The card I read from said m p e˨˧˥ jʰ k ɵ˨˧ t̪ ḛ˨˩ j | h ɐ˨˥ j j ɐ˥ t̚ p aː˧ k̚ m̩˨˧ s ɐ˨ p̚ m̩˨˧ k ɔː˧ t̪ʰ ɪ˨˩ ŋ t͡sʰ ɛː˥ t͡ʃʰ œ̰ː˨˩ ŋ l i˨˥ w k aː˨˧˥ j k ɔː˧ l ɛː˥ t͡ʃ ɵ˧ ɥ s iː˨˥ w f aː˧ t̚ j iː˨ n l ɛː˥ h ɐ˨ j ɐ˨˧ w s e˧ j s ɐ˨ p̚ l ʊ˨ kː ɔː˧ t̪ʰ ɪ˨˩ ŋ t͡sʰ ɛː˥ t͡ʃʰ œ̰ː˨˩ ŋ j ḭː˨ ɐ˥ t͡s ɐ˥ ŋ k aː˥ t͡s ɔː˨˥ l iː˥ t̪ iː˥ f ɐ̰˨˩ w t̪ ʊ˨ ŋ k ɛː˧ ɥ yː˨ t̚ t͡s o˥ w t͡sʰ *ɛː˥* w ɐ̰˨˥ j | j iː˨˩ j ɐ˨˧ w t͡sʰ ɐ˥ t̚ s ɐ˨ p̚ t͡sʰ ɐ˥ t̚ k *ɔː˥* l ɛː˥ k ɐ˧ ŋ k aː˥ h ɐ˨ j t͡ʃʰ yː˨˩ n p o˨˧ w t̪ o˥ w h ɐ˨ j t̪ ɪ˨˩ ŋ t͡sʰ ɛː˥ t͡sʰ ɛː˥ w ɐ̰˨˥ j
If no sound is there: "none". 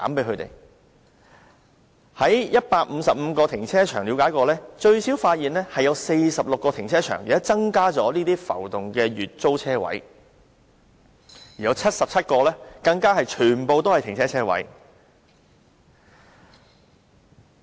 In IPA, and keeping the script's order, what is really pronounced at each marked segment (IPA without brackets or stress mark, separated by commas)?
ɛː˥, ɔː˧